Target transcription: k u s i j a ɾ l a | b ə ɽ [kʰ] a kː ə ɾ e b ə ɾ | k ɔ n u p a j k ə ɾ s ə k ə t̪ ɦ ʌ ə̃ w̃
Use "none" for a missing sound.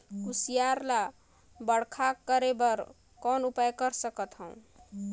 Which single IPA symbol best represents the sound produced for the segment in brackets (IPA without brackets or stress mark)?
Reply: kʰ